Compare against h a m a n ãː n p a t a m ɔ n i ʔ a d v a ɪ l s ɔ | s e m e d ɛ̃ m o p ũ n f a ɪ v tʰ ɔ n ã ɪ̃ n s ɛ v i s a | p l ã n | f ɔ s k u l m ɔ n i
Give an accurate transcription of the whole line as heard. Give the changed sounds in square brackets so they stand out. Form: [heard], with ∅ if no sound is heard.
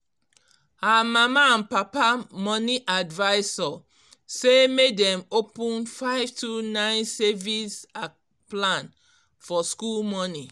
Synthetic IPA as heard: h a m a [m] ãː n p a [p] a m ɔ n i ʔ a d v a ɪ [∅] s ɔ | s e m e d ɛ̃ m o p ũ n f a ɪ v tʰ [u] n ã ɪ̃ n s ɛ v i s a | p l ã n | f ɔ s k u l m ɔ n i